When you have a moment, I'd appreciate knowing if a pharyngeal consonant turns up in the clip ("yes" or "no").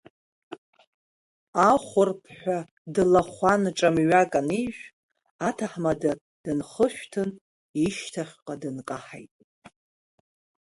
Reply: yes